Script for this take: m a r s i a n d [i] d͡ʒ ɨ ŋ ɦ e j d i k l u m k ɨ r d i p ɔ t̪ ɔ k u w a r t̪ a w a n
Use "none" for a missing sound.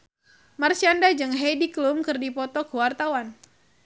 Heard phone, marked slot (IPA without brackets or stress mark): a